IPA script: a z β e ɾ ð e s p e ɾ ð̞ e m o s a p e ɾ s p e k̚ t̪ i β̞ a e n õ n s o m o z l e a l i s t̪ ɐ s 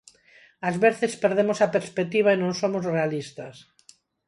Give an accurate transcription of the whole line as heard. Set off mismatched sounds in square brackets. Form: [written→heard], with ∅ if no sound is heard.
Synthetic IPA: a z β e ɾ [ð→θ] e s p e ɾ ð̞ e m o s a p e ɾ s p e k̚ t̪ i β̞ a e n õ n s o m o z [l→r] e a l i s t̪ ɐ s